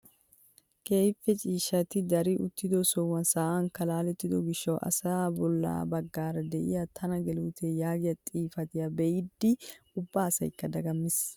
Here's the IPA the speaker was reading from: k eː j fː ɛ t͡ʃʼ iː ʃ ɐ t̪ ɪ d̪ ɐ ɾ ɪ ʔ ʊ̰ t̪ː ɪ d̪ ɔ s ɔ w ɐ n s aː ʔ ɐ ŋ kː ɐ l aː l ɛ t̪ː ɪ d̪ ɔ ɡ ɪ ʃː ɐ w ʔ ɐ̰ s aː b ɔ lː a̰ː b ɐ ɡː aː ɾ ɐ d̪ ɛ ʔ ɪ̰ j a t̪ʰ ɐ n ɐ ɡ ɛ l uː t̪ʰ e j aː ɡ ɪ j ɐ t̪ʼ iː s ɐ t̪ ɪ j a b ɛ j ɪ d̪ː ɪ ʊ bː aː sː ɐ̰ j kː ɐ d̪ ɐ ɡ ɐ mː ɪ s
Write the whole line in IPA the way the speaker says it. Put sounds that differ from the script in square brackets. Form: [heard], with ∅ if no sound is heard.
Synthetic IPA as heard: k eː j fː ɛ t͡ʃʼ iː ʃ ɐ t̪ ɪ d̪ ɐ ɾ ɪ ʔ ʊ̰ t̪ː ɪ d̪ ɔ s ɔ w ɐ n s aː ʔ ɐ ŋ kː ɐ l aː l ɛ t̪ː ɪ d̪ ɔ ɡ ɪ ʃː ɐ w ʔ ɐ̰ s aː b ɔ lː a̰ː b ɐ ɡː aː ɾ ɐ d̪ ɛ ʔ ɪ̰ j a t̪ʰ ɐ n ɐ ɡ ɛ l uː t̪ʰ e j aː ɡ ɪ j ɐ t̪ʼ iː [f] ɐ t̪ ɪ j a b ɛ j ɪ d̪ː ɪ ʊ bː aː [s] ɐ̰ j kː ɐ d̪ ɐ ɡ ɐ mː ɪ s